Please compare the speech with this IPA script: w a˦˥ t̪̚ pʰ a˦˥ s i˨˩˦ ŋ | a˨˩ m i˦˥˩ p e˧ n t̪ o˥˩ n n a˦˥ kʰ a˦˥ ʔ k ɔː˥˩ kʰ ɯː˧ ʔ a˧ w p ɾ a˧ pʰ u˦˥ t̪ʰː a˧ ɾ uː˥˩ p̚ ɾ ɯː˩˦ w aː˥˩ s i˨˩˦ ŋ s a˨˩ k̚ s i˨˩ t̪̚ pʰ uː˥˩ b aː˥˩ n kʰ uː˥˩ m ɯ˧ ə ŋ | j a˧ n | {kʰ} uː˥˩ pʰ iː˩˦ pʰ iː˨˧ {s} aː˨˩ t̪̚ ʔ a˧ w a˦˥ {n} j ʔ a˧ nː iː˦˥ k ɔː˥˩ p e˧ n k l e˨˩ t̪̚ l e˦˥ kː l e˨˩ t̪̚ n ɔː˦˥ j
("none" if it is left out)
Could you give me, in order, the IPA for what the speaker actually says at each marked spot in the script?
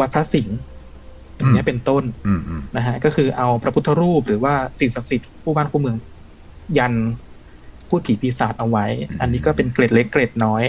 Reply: pʰ, s, none

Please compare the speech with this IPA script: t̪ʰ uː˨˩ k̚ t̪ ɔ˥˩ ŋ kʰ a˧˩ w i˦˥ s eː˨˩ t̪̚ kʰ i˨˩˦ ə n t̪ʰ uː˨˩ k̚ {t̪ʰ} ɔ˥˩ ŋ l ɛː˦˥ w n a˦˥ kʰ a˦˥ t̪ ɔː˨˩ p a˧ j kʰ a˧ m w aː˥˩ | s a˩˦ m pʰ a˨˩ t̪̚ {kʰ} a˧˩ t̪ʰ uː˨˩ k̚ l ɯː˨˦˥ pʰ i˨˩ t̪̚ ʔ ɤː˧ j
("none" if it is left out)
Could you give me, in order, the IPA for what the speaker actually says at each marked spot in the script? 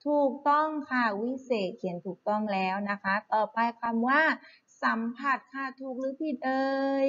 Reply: t̪, kʰ

